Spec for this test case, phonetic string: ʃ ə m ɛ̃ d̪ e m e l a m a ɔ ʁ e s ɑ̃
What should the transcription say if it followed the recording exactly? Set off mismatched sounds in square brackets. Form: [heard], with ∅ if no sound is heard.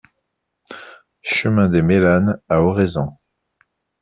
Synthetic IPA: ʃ ə m ɛ̃ d̪ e m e l a [n] a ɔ ʁ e [z] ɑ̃